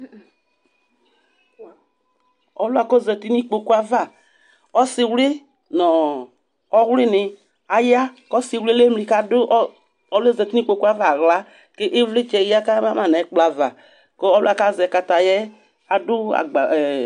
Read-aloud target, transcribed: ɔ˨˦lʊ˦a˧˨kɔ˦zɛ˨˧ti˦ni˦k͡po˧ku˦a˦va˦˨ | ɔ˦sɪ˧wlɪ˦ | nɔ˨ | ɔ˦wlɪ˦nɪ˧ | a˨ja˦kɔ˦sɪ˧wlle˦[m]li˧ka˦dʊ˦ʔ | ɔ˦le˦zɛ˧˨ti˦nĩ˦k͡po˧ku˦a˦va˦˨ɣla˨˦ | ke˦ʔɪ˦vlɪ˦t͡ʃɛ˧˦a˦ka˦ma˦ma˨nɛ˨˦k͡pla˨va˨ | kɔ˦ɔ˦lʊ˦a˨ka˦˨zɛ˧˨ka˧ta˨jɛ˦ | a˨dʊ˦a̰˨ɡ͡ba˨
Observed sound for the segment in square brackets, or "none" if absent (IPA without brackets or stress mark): m